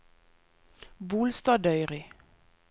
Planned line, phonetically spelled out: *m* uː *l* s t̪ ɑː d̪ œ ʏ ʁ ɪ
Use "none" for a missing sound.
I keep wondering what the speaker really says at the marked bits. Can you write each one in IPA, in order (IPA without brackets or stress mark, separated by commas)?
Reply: b, l